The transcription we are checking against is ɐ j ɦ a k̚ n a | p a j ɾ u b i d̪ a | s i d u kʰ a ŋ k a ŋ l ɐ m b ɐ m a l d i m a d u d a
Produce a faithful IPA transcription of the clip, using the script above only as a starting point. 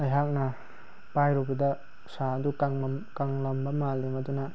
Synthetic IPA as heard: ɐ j ɦ a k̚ n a | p a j ɾ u b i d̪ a | s a d u k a ŋ k a ŋ l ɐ m b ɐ m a l d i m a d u n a